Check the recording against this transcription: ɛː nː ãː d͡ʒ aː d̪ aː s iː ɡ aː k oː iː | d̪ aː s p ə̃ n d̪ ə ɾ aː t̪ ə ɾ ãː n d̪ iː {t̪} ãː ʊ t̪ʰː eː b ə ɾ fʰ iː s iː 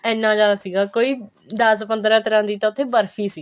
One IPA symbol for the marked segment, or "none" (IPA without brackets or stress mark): t̪